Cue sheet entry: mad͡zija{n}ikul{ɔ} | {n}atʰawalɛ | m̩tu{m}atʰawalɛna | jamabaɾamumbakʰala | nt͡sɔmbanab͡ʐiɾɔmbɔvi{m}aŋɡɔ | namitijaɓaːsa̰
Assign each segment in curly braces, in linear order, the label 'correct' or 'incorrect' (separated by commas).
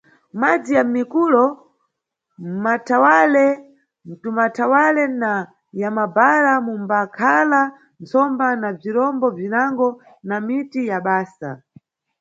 incorrect, correct, incorrect, correct, incorrect